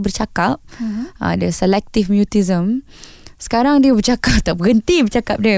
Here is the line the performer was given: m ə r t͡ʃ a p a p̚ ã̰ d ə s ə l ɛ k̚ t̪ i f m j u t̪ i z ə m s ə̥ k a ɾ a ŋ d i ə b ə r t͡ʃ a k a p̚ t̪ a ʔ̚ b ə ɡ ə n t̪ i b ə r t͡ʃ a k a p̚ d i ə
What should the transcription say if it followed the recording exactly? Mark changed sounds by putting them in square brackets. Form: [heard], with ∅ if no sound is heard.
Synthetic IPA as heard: [b] ə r t͡ʃ a [k] a p̚ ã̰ d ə s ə l ɛ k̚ t̪ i f m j u t̪ i z ə m s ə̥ k a ɾ a ŋ d i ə b ə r t͡ʃ a k a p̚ t̪ a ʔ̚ b ə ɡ ə n t̪ i b ə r t͡ʃ a k a p̚ d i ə